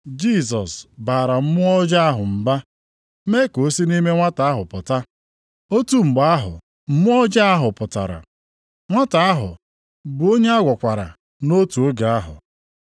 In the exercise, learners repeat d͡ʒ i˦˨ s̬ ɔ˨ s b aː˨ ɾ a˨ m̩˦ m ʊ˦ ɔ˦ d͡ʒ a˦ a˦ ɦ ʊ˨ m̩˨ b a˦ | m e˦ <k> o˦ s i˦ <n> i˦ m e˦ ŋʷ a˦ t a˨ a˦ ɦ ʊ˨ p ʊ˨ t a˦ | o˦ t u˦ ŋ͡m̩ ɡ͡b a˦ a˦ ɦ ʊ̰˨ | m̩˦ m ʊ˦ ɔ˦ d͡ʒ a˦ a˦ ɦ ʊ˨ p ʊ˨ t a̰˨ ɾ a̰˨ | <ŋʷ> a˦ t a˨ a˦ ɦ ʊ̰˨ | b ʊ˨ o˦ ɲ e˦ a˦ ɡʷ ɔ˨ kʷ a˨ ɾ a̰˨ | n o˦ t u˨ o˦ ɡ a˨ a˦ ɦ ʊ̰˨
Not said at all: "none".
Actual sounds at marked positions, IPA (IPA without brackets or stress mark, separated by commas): k, n, ŋʷ